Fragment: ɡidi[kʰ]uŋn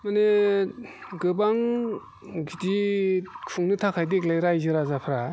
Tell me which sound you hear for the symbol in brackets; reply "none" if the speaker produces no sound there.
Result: kʰ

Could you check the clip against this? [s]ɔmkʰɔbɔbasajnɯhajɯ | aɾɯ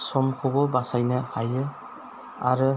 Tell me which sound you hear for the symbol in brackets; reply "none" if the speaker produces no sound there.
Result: s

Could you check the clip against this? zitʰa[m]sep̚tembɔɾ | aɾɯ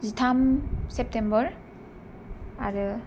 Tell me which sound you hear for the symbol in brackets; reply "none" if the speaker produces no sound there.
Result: m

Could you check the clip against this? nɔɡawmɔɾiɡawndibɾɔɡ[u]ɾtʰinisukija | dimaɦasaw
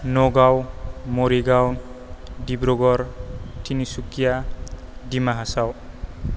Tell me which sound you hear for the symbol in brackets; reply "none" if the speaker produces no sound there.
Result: ɔ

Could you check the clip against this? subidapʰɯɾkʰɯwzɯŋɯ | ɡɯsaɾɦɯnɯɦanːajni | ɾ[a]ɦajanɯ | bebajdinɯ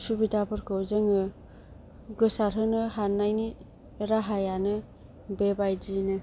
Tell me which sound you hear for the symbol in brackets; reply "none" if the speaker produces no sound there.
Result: a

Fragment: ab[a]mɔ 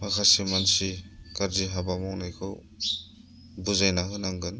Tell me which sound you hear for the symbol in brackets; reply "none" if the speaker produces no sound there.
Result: a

